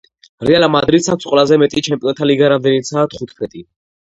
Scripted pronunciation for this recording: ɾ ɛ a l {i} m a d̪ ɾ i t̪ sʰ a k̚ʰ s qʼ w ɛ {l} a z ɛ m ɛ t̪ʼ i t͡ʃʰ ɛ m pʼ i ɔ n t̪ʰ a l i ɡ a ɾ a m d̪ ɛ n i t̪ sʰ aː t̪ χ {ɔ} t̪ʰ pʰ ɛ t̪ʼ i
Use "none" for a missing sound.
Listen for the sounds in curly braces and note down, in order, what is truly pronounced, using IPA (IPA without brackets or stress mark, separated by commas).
a, l, u